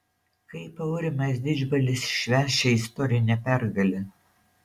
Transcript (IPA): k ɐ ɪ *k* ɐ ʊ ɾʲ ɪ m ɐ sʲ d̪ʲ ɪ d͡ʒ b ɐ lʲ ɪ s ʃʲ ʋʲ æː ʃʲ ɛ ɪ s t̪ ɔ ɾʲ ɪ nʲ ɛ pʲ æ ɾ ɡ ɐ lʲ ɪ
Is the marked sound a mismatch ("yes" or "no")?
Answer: yes